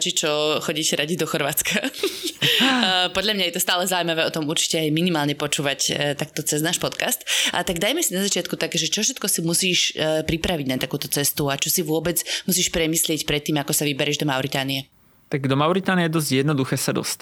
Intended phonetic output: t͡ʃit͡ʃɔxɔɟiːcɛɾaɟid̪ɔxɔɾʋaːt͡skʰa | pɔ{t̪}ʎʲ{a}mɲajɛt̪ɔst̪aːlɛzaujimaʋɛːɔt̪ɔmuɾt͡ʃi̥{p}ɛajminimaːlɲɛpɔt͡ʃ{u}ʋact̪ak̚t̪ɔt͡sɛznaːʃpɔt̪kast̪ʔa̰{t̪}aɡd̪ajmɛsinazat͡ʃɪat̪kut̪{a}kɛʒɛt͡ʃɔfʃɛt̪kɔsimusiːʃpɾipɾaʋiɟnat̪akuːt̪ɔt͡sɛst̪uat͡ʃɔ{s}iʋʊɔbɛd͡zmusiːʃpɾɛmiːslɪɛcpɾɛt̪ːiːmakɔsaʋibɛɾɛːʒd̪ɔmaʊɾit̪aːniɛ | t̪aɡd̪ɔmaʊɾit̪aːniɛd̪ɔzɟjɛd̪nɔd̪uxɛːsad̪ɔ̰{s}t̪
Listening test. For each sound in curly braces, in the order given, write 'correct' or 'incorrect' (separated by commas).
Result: incorrect, correct, incorrect, incorrect, correct, correct, correct, correct